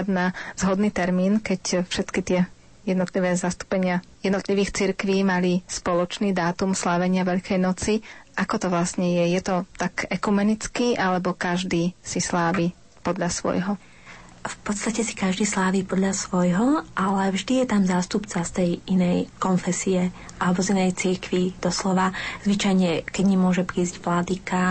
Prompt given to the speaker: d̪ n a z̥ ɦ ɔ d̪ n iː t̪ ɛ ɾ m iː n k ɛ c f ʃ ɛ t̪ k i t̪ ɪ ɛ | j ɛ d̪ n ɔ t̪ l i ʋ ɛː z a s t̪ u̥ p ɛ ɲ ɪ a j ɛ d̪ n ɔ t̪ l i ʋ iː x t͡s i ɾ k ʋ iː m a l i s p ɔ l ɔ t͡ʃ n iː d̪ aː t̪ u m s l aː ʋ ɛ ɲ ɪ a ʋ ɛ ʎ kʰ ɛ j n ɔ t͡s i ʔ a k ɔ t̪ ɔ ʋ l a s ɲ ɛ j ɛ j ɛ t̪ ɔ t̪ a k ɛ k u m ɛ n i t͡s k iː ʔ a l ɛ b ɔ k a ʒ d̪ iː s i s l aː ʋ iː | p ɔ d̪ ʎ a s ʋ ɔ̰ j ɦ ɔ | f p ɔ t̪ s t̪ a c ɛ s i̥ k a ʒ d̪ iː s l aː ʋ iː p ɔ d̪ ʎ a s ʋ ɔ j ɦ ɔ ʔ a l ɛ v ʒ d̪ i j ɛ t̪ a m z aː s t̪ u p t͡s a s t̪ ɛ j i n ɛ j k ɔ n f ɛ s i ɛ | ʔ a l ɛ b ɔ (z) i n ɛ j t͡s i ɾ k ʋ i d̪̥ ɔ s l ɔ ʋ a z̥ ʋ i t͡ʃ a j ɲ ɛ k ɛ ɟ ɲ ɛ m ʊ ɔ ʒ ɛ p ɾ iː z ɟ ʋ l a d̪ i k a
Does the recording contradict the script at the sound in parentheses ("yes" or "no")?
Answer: no